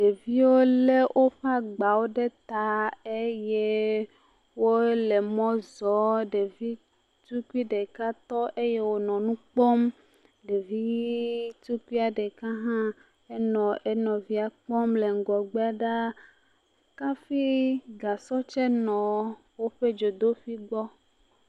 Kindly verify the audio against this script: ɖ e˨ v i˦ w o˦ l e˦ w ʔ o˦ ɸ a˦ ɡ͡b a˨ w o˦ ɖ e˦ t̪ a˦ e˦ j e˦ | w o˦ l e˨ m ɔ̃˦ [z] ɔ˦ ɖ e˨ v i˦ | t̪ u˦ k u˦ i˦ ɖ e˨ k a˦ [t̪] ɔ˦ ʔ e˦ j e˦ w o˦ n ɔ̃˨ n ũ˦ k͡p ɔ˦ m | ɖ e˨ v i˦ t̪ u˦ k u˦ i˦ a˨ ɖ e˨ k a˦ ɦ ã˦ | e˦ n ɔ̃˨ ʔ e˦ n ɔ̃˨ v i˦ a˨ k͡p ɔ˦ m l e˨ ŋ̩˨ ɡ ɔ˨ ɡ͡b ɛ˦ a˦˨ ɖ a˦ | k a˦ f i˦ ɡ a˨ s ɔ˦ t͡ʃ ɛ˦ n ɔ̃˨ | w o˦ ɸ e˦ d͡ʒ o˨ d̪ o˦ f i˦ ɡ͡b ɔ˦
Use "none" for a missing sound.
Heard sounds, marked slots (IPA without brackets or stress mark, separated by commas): z, t̪